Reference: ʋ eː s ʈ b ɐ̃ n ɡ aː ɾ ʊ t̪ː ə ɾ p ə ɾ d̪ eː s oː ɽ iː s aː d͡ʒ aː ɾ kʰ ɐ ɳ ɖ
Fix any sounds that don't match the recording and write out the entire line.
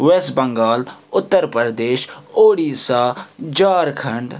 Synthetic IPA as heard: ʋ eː s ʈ b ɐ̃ ŋ ɡ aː l ʊ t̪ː ə ɾ p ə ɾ d̪ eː ʃ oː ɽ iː s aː d͡ʒ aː ɾ kʰ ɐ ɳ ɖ